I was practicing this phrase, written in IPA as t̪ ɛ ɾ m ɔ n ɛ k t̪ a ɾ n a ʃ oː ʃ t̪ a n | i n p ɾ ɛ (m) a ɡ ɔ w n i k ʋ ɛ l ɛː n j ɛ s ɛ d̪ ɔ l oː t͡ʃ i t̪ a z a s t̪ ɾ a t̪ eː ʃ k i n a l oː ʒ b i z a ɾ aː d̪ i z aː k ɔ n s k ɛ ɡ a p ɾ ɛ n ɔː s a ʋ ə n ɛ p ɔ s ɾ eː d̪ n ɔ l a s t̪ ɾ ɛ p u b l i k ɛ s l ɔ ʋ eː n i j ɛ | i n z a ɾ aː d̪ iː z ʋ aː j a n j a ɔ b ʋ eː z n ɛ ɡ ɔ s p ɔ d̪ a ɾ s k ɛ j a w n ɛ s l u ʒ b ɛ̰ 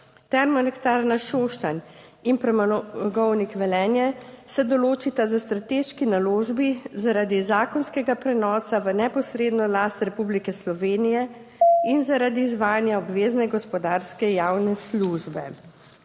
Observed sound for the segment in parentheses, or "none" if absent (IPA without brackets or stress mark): m